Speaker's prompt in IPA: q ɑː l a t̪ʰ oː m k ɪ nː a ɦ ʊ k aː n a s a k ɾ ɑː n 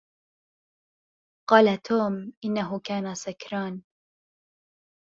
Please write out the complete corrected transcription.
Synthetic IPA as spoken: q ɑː l a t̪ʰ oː m ʔ ɪ nː a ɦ ʊ k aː n a s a k ɾ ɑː n